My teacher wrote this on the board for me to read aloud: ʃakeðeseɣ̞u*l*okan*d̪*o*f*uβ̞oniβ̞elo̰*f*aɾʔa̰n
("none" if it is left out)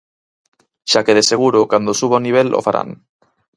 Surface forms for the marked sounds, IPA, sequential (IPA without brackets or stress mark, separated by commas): ɾ, d̪, s, f